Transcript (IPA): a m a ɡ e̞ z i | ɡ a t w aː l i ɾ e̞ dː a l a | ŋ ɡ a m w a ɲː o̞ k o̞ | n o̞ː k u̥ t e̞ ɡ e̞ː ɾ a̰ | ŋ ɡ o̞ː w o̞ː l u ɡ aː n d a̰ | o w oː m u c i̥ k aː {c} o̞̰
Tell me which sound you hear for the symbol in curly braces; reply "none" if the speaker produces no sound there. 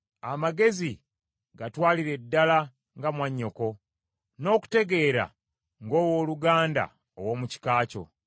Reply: c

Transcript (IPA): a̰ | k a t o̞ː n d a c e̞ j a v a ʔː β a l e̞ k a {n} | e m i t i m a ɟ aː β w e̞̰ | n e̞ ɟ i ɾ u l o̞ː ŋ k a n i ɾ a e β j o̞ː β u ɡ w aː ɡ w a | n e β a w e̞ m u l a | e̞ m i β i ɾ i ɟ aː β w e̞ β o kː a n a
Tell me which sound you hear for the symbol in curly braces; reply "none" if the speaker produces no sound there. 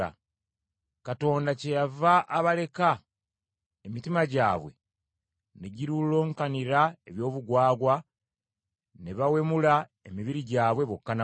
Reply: none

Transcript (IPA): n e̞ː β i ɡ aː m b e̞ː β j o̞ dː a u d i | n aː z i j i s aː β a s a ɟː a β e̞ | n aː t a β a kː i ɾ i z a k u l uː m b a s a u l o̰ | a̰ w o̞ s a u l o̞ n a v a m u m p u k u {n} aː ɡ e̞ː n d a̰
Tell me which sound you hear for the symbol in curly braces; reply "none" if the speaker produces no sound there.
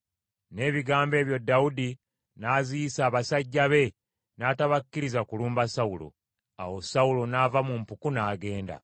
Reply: n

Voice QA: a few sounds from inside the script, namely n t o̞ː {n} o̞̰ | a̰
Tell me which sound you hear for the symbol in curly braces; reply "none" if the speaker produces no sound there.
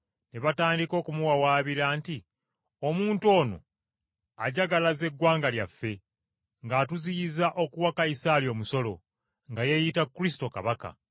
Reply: n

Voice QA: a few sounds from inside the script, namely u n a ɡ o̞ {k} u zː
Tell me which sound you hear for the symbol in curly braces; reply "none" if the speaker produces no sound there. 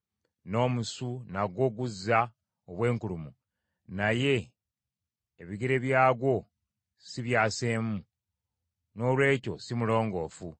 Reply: ɡ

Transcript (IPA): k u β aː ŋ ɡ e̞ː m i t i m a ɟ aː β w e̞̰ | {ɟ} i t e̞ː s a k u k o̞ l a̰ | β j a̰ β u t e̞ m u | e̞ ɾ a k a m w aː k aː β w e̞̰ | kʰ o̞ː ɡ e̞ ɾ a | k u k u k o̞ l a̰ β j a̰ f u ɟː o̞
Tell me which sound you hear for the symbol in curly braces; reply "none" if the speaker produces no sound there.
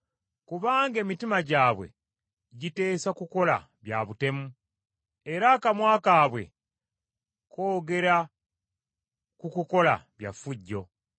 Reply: ɟ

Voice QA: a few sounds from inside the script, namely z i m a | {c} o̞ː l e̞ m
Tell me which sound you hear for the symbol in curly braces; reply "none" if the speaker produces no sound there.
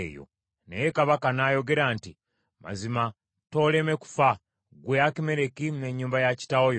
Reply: t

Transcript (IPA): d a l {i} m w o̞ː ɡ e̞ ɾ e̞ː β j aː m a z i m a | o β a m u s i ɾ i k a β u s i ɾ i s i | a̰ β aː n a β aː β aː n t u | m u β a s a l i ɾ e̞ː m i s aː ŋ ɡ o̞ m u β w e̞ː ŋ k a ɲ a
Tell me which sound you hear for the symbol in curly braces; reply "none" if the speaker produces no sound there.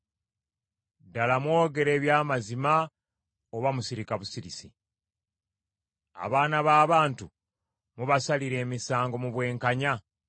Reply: a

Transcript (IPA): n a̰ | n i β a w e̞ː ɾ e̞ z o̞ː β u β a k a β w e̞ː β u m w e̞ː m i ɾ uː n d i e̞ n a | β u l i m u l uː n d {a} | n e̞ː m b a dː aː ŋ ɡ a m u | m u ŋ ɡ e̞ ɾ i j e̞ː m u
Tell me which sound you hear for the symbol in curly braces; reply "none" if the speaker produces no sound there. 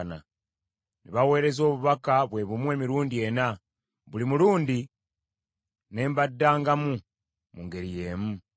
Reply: i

